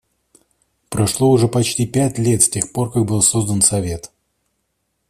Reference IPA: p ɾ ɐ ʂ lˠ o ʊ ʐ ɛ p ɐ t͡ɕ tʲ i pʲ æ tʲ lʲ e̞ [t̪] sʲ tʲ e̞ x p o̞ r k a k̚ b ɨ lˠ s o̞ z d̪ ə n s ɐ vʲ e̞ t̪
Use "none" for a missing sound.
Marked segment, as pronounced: t̪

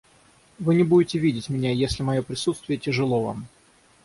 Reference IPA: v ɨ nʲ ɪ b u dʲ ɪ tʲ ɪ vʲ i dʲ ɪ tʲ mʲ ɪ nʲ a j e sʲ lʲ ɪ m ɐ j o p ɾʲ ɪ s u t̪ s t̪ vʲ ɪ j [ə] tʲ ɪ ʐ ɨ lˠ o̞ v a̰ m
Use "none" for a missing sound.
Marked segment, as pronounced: ə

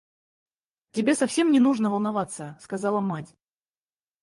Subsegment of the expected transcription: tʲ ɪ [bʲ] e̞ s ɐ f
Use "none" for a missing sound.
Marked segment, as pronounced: bʲ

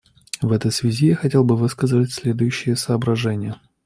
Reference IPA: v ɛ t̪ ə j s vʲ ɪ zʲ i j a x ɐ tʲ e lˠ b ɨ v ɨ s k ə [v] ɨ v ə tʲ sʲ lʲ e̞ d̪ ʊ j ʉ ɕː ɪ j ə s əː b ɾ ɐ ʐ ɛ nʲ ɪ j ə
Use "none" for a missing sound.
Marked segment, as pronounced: z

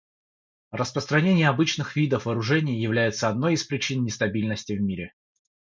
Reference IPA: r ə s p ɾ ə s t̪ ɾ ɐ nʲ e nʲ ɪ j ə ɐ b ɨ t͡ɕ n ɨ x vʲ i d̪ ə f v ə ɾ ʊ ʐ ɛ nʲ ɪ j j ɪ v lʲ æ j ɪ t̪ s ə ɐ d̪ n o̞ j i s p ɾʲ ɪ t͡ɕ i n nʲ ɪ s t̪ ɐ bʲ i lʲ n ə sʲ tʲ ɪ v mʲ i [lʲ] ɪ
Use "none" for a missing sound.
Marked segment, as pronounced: ɾʲ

